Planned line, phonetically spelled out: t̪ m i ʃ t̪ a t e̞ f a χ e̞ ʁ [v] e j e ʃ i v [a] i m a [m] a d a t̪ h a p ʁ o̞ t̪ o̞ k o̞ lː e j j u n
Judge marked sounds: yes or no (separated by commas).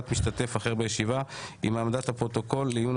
no, yes, yes